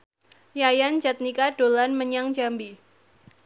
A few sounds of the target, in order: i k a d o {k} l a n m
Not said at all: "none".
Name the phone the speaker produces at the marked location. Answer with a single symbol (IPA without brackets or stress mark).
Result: none